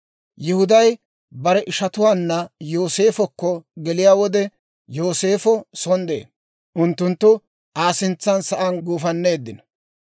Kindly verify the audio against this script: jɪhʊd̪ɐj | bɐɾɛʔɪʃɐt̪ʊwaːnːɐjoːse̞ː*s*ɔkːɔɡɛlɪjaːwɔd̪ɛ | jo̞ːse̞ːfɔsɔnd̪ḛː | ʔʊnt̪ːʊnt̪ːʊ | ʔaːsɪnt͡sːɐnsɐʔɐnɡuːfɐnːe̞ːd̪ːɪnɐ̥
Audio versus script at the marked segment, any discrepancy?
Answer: yes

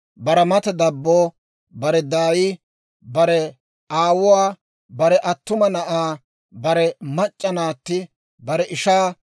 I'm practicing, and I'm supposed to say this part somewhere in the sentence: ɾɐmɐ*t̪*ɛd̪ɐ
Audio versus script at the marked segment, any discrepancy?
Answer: no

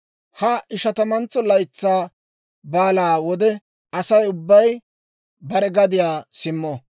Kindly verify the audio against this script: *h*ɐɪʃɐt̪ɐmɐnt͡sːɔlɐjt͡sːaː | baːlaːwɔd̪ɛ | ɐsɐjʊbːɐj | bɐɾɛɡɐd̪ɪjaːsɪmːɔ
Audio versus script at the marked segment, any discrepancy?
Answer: no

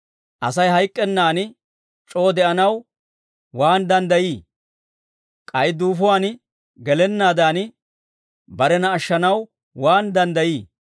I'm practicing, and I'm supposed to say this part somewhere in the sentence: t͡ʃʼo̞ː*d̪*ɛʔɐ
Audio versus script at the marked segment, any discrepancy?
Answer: no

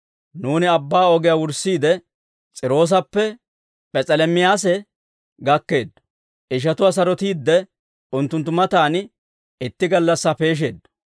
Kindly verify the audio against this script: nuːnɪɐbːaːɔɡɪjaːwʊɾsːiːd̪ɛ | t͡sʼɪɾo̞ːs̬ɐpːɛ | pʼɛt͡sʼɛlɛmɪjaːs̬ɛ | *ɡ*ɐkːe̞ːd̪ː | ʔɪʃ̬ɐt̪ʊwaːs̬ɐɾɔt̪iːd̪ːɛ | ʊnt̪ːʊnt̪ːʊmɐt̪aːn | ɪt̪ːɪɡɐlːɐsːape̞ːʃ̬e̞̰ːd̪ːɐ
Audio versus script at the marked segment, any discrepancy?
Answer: no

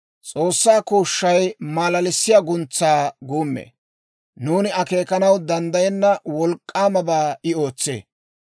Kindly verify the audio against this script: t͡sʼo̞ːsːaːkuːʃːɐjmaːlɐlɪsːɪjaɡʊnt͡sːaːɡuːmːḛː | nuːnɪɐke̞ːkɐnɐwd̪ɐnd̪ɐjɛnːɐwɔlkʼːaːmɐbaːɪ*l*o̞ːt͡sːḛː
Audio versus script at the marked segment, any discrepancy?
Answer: yes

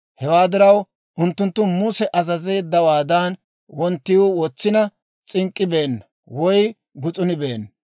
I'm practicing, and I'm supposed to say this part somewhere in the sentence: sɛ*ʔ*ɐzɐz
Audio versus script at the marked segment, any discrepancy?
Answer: no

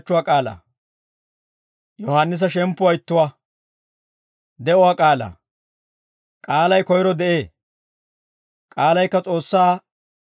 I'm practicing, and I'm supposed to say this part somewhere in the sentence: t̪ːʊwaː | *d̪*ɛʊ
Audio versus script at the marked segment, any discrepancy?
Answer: no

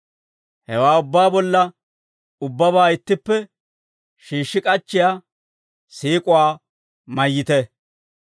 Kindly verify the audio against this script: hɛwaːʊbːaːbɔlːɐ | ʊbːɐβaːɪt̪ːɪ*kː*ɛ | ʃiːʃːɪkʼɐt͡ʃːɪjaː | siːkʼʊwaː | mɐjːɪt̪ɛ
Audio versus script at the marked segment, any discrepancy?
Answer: yes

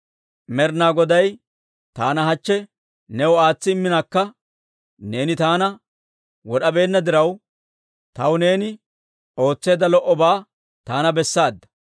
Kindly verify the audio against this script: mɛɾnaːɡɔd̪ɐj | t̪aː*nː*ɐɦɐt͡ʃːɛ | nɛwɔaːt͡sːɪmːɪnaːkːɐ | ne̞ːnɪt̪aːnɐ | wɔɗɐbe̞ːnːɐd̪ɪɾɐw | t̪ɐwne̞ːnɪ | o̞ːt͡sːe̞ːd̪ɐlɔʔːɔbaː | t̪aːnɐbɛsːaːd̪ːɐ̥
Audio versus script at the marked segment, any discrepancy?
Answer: yes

